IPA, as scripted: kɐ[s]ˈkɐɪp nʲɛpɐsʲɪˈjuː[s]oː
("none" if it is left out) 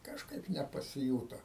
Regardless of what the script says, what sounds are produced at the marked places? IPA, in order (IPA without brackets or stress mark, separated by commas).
ʃ, t